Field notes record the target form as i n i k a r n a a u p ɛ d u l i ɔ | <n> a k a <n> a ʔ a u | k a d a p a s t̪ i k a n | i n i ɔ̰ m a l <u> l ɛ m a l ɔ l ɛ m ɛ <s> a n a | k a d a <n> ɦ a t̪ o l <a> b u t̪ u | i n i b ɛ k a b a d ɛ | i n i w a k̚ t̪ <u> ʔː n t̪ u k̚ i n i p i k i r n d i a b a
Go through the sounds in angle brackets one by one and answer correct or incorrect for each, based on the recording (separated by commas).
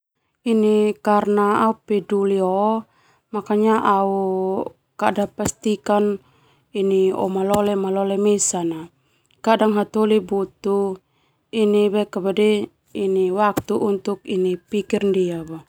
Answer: incorrect, incorrect, incorrect, correct, incorrect, incorrect, correct